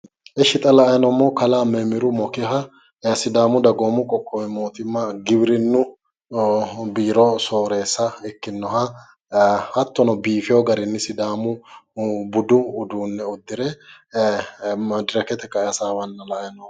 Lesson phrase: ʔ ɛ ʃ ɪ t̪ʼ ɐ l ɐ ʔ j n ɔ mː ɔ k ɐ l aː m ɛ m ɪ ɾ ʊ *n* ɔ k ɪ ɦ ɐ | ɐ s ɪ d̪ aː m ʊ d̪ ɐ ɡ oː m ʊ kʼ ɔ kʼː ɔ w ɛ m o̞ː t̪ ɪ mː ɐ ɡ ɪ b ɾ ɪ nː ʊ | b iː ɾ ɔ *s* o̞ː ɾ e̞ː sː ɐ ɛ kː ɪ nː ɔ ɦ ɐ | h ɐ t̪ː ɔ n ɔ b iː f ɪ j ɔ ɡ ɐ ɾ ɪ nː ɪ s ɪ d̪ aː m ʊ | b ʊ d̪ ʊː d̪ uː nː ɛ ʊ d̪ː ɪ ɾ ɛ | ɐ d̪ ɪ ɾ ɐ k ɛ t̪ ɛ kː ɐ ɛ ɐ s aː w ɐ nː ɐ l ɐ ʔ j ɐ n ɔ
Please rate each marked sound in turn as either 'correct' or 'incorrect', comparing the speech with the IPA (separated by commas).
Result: incorrect, correct